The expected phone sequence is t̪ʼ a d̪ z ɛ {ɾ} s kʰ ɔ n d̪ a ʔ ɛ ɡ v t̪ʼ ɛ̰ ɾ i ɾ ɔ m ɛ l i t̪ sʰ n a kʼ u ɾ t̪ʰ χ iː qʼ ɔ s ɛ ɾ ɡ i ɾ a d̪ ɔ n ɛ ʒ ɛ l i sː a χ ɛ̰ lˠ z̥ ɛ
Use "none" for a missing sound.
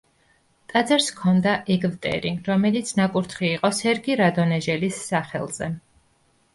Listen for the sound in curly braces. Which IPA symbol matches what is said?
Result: ɾ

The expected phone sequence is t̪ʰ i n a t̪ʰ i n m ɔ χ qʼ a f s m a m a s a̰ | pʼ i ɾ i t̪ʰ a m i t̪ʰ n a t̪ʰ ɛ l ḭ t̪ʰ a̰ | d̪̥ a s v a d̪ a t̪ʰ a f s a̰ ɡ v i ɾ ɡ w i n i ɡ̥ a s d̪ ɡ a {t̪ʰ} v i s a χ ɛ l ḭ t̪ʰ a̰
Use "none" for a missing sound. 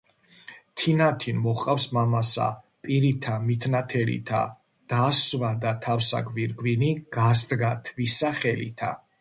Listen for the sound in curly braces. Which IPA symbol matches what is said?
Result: t̪ʰ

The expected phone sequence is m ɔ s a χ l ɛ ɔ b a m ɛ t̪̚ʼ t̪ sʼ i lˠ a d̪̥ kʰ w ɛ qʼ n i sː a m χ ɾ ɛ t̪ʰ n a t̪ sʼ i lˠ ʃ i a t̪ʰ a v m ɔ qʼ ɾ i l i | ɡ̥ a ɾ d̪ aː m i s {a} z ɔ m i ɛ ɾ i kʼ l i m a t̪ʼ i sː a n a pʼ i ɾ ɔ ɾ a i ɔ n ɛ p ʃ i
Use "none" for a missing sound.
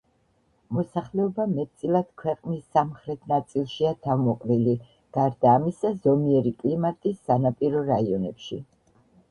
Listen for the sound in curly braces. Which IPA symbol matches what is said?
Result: a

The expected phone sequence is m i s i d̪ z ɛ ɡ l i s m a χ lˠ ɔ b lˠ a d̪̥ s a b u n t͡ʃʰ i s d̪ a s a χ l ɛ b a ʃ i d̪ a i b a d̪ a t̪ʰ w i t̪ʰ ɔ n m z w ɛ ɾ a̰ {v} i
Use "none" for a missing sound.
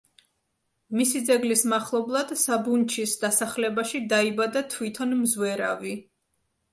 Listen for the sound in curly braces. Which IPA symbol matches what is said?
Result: v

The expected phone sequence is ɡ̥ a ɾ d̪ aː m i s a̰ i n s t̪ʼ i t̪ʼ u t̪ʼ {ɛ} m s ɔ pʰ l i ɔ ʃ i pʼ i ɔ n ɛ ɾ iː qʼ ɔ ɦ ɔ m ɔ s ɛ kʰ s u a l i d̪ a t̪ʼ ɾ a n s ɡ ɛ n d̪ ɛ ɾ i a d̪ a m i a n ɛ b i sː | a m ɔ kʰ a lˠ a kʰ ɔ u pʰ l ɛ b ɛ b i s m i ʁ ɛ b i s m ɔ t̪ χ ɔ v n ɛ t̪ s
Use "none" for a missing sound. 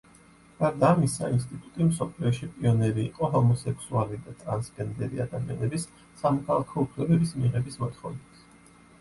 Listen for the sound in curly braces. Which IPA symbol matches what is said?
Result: i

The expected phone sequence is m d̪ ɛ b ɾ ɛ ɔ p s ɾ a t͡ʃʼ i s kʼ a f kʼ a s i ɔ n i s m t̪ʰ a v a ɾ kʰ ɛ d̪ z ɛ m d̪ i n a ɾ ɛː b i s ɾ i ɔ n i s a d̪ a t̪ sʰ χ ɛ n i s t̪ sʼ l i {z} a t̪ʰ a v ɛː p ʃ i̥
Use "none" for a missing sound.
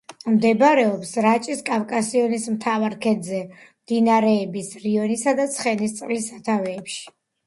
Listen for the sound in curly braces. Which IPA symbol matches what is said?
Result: s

